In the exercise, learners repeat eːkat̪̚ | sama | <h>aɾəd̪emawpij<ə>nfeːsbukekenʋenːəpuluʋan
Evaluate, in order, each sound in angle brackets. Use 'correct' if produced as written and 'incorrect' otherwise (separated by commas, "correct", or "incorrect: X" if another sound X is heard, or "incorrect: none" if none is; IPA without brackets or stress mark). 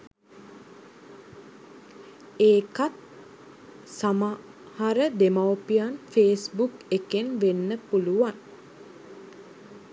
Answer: correct, incorrect: a